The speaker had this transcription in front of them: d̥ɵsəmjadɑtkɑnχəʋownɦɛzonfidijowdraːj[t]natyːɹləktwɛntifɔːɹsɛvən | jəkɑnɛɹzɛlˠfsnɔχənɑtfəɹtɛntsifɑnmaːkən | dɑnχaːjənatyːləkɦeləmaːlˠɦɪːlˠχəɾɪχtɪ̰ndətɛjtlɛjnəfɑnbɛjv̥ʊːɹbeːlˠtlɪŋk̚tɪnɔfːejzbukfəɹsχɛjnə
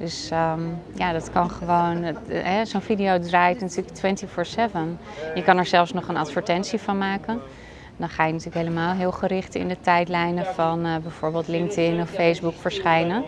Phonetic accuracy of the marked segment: correct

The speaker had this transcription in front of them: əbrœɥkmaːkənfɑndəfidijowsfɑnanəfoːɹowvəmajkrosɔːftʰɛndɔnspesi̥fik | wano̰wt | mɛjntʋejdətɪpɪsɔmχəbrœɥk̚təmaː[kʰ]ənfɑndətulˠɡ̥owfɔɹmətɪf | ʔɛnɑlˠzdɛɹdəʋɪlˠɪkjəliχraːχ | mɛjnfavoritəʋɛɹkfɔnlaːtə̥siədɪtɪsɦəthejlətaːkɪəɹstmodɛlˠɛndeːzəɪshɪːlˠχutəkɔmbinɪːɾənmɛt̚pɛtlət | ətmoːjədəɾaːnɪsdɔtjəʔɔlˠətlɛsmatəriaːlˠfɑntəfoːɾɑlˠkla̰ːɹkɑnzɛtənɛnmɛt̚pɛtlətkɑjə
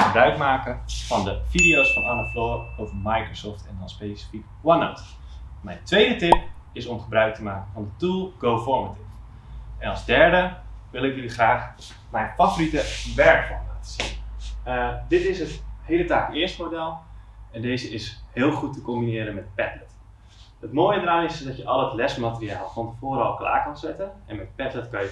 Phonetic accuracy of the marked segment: incorrect: k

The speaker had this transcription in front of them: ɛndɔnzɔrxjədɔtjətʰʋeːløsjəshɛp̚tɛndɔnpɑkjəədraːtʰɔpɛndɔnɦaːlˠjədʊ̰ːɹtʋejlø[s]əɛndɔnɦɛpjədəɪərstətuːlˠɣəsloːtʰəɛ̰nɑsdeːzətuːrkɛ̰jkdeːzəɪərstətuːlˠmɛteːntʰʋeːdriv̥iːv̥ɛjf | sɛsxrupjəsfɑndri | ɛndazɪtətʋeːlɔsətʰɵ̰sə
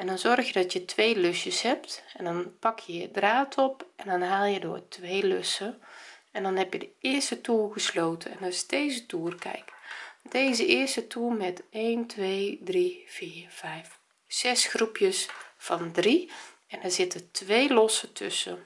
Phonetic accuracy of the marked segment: correct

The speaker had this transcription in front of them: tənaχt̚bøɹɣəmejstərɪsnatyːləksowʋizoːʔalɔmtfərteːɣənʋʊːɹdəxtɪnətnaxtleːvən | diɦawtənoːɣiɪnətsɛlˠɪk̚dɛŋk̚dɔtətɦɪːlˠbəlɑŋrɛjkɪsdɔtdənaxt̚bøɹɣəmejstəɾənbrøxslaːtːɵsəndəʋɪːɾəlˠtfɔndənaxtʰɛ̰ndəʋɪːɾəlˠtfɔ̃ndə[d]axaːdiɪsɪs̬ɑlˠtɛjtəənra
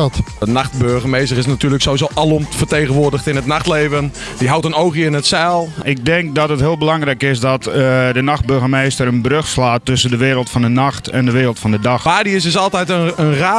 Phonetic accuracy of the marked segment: correct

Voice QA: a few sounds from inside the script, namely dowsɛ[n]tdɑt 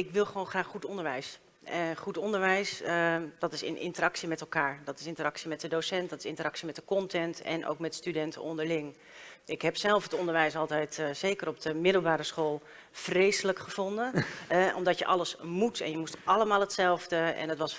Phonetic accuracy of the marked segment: correct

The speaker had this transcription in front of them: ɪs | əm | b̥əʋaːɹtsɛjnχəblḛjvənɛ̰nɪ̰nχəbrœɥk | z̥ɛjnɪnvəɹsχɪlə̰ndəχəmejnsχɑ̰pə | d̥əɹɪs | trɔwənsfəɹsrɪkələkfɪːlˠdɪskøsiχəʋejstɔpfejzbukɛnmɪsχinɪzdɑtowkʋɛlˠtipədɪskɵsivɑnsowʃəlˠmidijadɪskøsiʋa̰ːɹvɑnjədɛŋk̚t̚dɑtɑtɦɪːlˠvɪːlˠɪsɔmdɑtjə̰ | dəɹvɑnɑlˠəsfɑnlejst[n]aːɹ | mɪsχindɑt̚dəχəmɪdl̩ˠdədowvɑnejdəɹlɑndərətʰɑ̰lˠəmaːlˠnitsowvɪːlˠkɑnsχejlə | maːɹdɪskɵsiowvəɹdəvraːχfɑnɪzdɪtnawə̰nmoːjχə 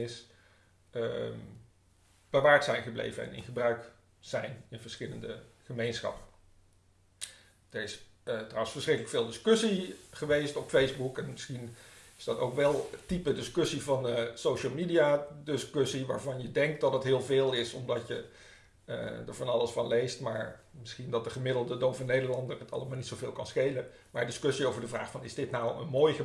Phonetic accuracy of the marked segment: incorrect: m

